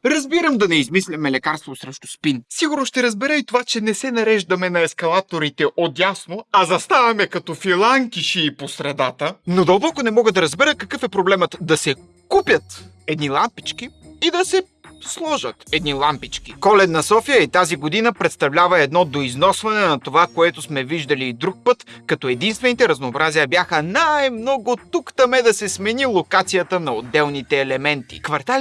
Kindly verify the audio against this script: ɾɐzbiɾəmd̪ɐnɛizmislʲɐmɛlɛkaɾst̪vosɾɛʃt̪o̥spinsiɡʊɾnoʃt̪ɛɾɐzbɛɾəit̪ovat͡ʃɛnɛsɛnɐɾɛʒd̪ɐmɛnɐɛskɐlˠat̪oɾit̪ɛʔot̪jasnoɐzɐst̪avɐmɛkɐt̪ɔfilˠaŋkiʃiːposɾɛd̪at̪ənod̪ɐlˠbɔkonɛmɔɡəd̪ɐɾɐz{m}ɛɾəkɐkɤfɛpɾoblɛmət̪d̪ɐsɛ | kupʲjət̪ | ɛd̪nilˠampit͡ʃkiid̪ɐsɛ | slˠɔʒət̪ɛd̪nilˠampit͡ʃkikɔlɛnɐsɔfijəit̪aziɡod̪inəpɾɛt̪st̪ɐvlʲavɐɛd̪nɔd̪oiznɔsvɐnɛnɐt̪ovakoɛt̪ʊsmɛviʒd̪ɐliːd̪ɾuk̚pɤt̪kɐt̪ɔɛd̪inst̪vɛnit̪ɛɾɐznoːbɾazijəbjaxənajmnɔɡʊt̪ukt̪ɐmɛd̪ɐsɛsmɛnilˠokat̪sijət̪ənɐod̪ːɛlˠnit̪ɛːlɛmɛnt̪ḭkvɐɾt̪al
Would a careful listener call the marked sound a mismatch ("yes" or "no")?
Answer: yes